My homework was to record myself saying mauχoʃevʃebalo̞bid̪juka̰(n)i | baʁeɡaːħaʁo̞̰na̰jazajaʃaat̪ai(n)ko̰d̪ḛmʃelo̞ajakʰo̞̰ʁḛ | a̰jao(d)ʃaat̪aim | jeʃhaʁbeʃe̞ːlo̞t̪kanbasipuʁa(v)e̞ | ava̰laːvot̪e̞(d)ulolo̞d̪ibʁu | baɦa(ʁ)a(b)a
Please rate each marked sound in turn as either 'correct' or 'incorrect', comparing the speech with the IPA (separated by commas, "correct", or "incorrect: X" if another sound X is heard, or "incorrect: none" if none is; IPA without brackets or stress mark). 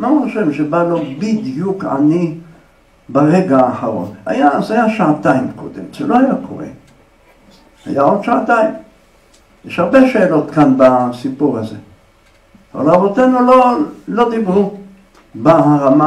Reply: correct, incorrect: m, correct, incorrect: z, incorrect: n, correct, incorrect: m